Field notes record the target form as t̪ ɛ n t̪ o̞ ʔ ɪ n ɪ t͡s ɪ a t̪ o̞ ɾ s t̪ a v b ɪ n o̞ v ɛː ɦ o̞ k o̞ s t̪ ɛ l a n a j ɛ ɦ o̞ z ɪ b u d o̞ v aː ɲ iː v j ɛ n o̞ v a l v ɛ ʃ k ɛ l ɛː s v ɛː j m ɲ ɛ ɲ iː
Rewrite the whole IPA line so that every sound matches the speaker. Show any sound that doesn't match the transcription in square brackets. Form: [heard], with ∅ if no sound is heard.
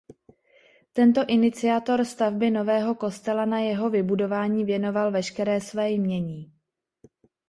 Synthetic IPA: t̪ ɛ n t̪ o̞ ʔ ɪ n ɪ t͡s ɪ a t̪ o̞ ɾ s t̪ a v b ɪ n o̞ v ɛː ɦ o̞ k o̞ s t̪ ɛ l a n a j ɛ ɦ o̞ [v] ɪ b u d o̞ v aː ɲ iː v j ɛ n o̞ v a l v ɛ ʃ k ɛ [ɾ] ɛː s v ɛː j m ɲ ɛ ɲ iː